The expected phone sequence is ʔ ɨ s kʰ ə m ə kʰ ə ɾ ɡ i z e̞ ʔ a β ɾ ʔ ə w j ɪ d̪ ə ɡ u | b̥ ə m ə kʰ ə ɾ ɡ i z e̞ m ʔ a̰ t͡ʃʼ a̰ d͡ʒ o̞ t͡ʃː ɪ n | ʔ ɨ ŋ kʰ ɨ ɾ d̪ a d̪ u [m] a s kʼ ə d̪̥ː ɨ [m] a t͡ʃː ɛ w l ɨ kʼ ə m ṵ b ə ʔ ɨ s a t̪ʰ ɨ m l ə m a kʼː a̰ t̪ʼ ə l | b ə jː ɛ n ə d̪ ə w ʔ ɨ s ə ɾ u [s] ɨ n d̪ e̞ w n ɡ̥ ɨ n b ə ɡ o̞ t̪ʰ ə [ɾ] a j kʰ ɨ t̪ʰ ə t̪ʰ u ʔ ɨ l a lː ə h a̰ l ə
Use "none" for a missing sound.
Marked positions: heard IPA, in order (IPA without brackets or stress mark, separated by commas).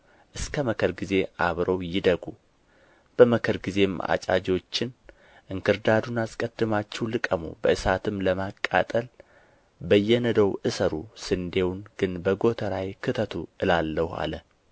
n, m, s, ɾ